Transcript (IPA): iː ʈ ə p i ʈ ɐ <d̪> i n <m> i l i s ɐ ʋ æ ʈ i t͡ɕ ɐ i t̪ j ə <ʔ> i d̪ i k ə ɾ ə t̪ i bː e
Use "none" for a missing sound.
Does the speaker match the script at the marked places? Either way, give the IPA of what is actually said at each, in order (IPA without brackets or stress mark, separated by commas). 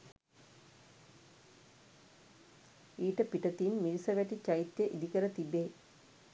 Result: t̪, m, ʔ